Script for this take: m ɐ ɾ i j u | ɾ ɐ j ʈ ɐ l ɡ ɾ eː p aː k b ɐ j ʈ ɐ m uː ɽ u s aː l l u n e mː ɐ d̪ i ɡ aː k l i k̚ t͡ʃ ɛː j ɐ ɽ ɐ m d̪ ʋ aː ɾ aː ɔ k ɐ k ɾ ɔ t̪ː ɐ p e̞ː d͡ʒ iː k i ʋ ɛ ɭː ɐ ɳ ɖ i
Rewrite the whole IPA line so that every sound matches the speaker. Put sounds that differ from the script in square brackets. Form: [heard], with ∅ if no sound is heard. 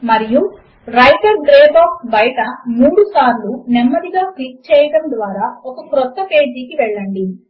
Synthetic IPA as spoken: m ɐ ɾ i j u | ɾ ɐ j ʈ ɐ [ɾ] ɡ ɾ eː [b] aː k b ɐ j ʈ ɐ m uː ɽ u s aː [ɾ] l u n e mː ɐ d̪ i ɡ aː k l i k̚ t͡ʃ ɛː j ɐ ɽ ɐ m d̪ ʋ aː ɾ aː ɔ k ɐ k ɾ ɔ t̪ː ɐ p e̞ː d͡ʒ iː k i ʋ ɛ ɭː ɐ ɳ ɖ i

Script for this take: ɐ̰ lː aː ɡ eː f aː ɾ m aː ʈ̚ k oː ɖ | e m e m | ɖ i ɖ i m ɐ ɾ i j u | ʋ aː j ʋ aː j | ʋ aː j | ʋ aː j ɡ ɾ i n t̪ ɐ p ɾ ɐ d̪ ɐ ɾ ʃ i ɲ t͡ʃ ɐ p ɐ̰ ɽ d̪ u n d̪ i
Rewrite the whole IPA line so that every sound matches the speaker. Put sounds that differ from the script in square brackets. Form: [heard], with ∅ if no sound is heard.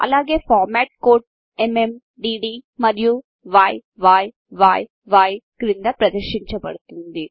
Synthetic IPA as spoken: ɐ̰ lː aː ɡ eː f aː ɾ m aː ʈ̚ k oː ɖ | e m e m | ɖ i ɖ i m ɐ ɾ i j u | ʋ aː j ʋ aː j | ʋ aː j | ʋ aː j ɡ ɾ i n [d̪] ɐ p ɾ ɐ d̪ ɐ ɾ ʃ i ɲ t͡ʃ ɐ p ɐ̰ ɽ [t̪] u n d̪ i

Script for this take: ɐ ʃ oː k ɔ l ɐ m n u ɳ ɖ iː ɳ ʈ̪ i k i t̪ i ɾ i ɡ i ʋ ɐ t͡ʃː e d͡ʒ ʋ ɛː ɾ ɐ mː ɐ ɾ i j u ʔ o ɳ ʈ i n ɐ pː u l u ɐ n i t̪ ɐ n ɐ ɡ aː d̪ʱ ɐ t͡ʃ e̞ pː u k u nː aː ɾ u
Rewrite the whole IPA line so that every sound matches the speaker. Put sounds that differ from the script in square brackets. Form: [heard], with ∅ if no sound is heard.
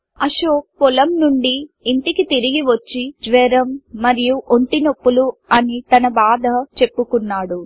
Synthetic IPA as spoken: ɐ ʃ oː k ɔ l ɐ m n u ɳ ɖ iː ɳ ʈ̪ i k i t̪ i ɾ i ɡ i ʋ ɐ t͡ʃː [i] d͡ʒ ʋ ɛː ɾ ɐ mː ɐ ɾ i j u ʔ o ɳ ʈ i n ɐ pː u l u ɐ n i t̪ ɐ n ɐ [b] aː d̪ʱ ɐ t͡ʃ e̞ pː u k u nː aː [ɽ] u

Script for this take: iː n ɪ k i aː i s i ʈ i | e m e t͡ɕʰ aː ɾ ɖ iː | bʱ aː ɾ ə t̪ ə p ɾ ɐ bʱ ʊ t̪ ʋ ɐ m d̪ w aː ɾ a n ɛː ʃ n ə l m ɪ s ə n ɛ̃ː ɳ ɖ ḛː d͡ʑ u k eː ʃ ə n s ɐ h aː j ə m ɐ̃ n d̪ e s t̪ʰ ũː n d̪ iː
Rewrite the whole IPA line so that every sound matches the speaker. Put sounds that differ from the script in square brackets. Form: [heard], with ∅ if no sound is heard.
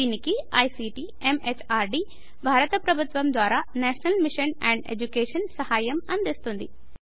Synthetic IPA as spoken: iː n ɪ k i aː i s i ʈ i | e m e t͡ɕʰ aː ɾ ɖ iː | bʱ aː ɾ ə t̪ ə p ɾ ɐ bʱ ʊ t̪ ʋ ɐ m d̪ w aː ɾ a n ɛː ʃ n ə l m ɪ [ʃ] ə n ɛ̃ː ɳ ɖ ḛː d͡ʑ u k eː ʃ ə n s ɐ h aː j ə m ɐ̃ n d̪ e s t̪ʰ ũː n d̪ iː

